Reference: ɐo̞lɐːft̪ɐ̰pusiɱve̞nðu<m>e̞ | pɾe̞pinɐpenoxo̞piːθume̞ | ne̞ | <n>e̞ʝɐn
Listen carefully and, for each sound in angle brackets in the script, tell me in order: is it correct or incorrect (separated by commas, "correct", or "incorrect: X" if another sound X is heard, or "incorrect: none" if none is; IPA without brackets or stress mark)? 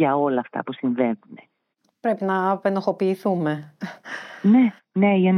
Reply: incorrect: n, correct